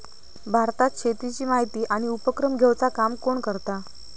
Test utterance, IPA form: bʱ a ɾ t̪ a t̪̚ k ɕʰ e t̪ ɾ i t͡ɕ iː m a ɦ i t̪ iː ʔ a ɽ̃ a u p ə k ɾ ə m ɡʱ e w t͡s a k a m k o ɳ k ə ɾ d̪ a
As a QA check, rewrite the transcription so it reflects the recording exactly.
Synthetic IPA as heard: bʱ a ɾ t̪ a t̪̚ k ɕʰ e t̪ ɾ i t͡ɕ iː m a ɦ i t̪ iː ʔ a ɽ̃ i u p ə k ɾ ə m ɡʱ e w t͡s a k a m k o ɳ k ə ɾ t̪ a

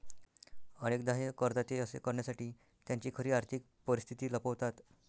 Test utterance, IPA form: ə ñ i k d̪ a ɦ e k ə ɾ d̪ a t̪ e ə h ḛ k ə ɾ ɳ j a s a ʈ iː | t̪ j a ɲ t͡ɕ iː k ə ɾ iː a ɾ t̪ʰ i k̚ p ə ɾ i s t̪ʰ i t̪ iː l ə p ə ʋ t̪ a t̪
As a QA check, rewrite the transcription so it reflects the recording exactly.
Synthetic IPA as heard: ə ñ e k d̪ a ɦ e k ə ɾ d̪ a t̪ e ə s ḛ k ə ɾ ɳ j a s a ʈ iː | t̪ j a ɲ t͡ɕ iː kʰ ə ɾ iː a ɾ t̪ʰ i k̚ p ə ɾ i s t̪ʰ i t̪ iː l ə p ə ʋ t̪ a t̪

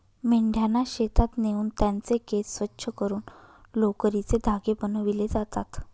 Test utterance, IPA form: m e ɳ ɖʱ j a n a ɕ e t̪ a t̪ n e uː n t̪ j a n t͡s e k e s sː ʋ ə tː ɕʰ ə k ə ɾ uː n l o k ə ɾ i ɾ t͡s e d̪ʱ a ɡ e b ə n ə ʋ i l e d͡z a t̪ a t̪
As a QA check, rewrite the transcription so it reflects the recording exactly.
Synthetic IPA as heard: m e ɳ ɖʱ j a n a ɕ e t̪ a t̪ n e uː n t̪ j a n t͡s e k e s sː ʋ ə tː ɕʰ ə k ə ɾ uː n l o k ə ɾ i t͡s e d̪ʱ a ɡ e b ə n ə ʋ i l e d͡z a t̪ a t̪

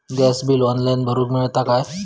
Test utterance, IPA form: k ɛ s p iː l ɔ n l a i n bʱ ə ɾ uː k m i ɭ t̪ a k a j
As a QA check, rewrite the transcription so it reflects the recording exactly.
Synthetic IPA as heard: ɡ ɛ s b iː l ɔ n l a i n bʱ ə ɾ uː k m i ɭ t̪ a k a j

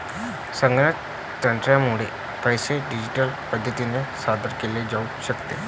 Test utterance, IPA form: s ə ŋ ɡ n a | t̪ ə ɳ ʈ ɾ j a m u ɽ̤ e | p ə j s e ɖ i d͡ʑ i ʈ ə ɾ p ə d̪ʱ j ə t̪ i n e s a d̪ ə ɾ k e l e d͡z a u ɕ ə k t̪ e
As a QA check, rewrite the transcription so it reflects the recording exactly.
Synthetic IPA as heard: s ə ŋ ɡ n a | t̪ ə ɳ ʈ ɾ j a m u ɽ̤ e | p ə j s e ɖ i d͡ʑ i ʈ ə l p ə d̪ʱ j ə t̪ i n e s a d̪ ə ɾ k e l e d͡z a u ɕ ə k t̪ e

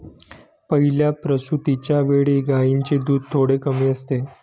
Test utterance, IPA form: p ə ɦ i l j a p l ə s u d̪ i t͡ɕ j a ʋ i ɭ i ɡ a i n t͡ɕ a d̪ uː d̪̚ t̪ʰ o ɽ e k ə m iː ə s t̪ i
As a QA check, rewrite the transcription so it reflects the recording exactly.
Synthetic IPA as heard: p ə ɦ i l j a p ɾ ə s u t̪ i t͡ɕ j a ʋ e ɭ i ɡ a i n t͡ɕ e d̪ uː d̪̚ t̪ʰ o ɽ e k ə m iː ə s t̪ e

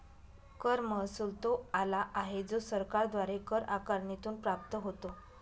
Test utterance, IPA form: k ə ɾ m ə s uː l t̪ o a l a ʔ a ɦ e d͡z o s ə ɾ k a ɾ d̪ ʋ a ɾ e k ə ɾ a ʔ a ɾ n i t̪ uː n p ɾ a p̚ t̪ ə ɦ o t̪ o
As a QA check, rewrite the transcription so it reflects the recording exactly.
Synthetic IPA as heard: k ə ɾ m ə s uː l t̪ o a l a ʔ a ɦ e d͡z o s ə ɾ k a ɾ d̪ ʋ a ɾ e k ə ɾ a k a ɾ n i t̪ uː n p ɾ a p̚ t̪ ə ɦ o t̪ o

